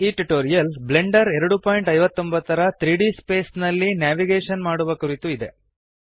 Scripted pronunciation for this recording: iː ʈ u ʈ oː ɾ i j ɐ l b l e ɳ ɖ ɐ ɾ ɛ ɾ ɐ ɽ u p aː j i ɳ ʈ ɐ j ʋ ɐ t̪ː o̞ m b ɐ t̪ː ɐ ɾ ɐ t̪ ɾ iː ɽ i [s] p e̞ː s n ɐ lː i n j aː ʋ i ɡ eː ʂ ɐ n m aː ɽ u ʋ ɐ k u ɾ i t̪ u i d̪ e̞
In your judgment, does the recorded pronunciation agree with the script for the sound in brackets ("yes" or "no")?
yes